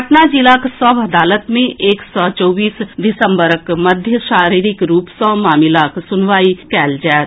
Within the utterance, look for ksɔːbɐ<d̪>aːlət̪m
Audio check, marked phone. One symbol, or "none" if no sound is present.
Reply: d̪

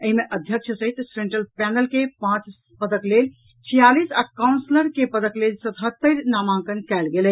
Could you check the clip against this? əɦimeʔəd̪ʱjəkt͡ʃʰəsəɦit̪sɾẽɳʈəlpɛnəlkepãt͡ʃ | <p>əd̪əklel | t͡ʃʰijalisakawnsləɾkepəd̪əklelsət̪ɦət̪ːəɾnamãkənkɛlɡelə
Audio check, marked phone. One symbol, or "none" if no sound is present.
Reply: p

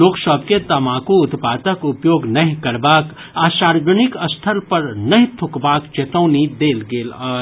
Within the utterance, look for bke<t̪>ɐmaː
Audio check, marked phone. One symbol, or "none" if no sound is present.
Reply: t̪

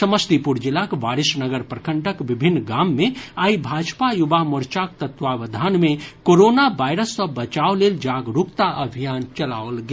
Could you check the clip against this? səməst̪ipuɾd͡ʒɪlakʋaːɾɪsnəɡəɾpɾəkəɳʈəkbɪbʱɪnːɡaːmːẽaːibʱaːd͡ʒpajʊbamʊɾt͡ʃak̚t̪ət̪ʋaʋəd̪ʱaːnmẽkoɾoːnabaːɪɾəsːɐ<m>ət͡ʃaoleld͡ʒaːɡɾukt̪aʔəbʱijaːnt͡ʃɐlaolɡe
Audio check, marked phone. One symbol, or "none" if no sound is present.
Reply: b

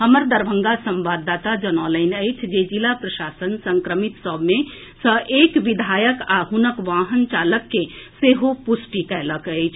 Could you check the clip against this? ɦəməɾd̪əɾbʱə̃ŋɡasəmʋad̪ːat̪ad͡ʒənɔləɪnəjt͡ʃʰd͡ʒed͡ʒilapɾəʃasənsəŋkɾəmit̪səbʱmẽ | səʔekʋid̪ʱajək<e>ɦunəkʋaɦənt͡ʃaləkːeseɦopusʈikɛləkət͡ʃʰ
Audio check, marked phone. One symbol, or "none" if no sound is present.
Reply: a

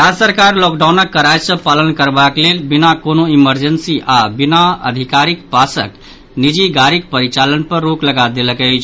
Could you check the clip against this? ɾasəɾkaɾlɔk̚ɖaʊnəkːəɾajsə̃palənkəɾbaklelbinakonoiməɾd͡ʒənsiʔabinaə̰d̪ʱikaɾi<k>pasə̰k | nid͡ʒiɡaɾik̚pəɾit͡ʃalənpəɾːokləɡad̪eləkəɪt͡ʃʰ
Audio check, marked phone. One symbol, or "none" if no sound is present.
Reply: k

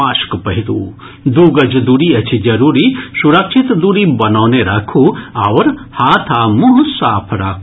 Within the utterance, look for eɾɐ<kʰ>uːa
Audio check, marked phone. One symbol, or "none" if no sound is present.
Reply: kʰ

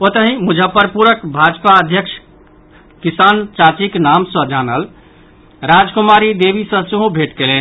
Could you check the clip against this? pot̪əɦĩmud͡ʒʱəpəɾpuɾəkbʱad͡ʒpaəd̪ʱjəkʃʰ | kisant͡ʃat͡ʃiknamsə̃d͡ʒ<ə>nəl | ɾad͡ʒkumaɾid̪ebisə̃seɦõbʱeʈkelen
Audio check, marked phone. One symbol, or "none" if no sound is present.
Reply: a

